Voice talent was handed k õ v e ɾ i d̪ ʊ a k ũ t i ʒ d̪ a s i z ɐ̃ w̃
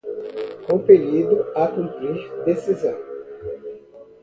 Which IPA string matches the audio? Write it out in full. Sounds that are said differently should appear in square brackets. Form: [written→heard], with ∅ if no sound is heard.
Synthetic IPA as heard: k õ [v→f] e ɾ i d̪ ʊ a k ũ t i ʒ d̪ [a→e] s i z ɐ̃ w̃